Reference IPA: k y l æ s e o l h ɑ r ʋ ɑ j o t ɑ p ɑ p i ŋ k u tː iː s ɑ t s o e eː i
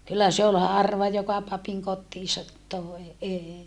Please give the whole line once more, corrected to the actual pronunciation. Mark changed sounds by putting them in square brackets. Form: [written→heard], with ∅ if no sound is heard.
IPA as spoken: k y [l→lː] æ s e o l h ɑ r ʋ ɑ j o [t→k] ɑ p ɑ p i ŋ k [u→o] tː iː s ɑ t [s→t] o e eː i